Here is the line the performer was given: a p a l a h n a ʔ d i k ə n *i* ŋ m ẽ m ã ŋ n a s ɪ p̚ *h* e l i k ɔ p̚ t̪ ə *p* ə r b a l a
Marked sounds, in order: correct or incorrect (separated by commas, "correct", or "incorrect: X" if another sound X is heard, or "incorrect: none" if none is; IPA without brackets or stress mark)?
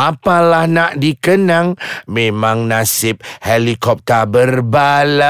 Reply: incorrect: a, correct, incorrect: b